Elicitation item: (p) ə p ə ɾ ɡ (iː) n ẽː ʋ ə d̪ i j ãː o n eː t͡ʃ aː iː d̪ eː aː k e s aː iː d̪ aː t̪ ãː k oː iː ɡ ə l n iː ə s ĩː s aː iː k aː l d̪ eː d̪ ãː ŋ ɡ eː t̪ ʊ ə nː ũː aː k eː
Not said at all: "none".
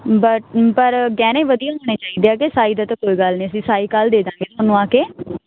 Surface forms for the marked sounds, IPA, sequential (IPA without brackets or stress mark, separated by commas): b, ɛː